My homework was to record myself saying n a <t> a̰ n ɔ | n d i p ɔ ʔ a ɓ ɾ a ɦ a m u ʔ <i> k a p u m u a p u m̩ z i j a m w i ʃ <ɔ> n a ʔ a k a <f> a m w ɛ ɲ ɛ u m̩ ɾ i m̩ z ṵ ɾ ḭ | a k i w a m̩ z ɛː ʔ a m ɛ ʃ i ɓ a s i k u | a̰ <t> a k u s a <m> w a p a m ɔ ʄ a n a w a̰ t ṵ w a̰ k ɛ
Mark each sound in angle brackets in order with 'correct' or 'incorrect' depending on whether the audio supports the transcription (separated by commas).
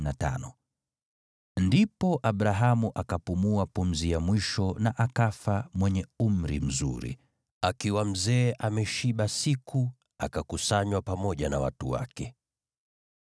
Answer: correct, incorrect, correct, correct, incorrect, incorrect